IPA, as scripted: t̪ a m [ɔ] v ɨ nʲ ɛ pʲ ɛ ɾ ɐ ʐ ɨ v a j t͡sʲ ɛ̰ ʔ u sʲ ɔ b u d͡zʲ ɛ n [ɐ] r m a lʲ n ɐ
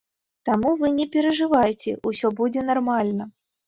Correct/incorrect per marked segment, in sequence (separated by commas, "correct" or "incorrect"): incorrect, incorrect